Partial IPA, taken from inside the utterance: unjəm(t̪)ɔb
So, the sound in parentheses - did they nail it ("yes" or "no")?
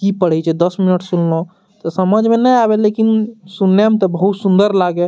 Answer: yes